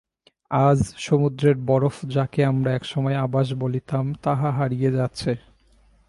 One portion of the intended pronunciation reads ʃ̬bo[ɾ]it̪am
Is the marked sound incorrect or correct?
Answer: incorrect